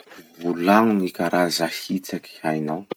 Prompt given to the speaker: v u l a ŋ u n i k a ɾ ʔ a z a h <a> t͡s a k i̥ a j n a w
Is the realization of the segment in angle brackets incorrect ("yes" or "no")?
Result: yes